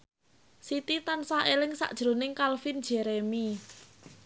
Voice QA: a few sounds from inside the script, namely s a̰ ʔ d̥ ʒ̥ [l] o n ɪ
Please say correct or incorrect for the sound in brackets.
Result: incorrect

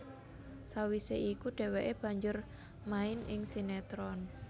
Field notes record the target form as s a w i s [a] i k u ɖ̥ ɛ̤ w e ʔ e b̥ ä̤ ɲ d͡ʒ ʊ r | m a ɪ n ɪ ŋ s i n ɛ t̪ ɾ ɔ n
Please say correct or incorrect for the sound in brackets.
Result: incorrect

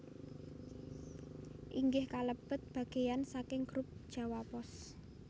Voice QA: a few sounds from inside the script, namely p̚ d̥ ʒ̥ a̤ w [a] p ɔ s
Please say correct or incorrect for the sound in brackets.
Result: correct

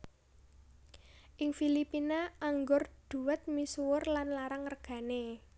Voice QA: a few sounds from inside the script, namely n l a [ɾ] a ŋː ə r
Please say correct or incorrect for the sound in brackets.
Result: correct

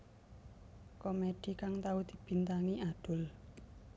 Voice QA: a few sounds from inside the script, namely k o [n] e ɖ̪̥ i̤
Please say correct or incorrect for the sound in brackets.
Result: incorrect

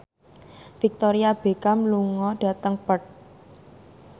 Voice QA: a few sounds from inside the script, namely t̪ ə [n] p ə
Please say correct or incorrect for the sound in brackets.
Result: incorrect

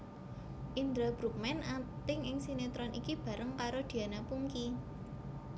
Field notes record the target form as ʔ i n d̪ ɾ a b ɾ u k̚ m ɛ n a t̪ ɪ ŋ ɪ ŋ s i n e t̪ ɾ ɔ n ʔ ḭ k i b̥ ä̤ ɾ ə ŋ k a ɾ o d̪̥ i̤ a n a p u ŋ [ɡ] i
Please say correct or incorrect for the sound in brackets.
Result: incorrect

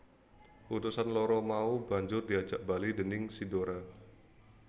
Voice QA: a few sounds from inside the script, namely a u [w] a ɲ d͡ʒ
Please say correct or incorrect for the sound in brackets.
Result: incorrect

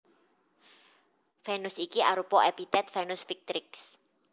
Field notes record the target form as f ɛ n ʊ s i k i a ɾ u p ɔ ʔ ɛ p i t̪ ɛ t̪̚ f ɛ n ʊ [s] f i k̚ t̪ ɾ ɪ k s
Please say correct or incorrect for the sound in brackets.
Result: correct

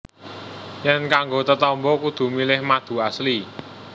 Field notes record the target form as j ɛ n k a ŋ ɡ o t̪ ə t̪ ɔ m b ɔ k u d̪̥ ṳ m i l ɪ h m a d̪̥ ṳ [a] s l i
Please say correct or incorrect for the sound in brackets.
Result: correct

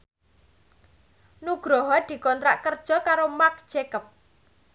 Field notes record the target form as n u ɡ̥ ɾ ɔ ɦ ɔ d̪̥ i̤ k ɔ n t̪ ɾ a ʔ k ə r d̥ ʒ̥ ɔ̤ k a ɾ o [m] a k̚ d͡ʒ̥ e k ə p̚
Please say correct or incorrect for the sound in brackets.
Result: correct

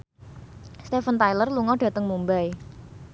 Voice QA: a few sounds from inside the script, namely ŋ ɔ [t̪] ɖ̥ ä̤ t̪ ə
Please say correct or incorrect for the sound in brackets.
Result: incorrect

